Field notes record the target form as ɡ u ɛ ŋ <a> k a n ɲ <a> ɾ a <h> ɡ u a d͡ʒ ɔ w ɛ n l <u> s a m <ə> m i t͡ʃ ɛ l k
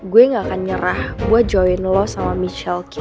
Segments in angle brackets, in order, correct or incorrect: correct, incorrect, correct, incorrect, incorrect

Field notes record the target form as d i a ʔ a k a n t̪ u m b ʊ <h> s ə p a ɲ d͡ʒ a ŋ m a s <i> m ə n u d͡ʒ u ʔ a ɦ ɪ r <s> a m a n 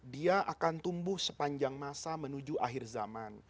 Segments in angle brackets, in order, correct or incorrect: correct, incorrect, incorrect

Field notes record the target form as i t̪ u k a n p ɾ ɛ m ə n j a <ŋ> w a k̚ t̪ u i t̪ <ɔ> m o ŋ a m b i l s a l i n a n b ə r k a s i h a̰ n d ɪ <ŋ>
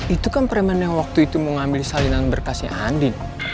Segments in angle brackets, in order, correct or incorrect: correct, incorrect, incorrect

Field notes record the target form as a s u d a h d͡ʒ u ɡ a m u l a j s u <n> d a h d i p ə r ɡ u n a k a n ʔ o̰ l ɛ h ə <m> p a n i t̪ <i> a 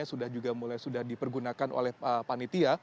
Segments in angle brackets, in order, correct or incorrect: incorrect, incorrect, correct

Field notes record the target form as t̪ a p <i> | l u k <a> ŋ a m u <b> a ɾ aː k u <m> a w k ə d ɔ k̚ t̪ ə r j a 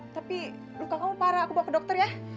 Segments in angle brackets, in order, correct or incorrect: correct, correct, incorrect, incorrect

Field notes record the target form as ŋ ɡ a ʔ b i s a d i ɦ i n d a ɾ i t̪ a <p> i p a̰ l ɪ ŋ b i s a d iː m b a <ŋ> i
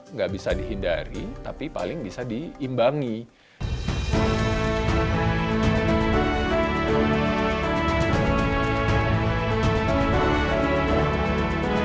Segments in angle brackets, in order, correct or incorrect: correct, correct

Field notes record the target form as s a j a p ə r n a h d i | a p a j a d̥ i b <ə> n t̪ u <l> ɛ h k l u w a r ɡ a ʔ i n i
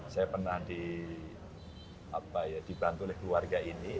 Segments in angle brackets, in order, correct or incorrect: incorrect, correct

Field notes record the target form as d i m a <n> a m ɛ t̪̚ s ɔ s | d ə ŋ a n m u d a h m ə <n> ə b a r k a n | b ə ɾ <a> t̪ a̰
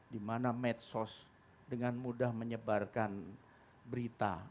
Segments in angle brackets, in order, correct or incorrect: correct, incorrect, incorrect

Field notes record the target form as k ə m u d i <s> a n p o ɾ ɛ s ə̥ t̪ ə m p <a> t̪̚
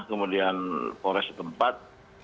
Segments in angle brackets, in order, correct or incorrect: incorrect, correct

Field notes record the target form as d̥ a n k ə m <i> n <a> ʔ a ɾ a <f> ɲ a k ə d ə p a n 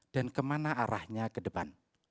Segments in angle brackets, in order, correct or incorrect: incorrect, correct, incorrect

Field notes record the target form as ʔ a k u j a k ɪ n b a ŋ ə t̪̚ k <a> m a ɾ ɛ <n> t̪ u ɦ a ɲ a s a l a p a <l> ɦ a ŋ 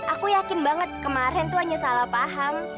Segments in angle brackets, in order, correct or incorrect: incorrect, correct, incorrect

